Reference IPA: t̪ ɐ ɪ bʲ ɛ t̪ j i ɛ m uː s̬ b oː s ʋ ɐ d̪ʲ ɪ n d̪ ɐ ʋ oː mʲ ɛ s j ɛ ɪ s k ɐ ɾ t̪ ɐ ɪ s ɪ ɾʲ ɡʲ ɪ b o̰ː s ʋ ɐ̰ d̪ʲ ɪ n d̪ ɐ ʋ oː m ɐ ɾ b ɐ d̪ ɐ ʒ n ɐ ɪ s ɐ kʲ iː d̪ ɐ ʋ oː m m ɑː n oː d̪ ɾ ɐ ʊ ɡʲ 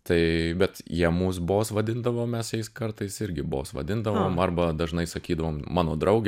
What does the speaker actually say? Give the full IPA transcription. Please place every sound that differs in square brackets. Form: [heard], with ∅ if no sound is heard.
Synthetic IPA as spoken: t̪ ɐ ɪ bʲ ɛ t̪ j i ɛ m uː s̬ b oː s ʋ ɐ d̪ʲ ɪ n d̪ ɐ ʋ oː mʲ ɛ s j ɛ ɪ s k ɐ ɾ t̪ ɐ ɪ s ɪ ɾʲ ɡʲ ɪ b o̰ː s ʋ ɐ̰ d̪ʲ ɪ n d̪ ɐ ʋ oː m ɐ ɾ b ɐ d̪ ɐ ʒ n ɐ ɪ s ɐ kʲ iː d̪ ɐ ʋ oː m m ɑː n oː d̪ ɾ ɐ ʊ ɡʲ